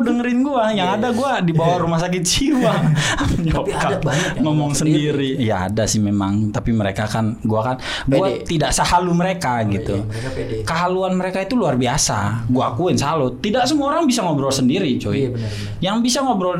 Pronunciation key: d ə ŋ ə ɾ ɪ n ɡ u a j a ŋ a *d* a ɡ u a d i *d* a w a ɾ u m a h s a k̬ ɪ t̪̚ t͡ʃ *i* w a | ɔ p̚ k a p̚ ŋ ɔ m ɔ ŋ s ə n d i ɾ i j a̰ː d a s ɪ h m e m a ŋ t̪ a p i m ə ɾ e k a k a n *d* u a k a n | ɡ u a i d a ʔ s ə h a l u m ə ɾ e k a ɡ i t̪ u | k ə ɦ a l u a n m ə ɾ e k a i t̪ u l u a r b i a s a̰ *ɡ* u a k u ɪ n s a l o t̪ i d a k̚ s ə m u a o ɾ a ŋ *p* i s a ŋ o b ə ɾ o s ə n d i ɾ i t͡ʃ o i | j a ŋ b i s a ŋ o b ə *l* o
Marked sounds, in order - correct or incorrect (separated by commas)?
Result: correct, incorrect, correct, incorrect, correct, incorrect, incorrect